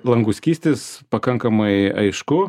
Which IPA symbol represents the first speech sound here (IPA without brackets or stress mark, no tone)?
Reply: lˠ